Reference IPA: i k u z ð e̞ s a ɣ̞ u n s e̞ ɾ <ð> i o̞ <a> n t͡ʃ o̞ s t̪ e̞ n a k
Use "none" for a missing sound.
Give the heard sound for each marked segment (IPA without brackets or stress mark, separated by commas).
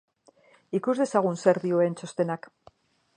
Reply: ð, e